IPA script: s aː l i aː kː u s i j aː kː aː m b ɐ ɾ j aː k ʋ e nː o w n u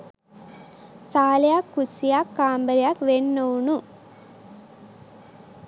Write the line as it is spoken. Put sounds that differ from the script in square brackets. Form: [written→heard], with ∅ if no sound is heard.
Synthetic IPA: s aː l [i→j] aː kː u s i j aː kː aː m b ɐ ɾ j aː k ʋ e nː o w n u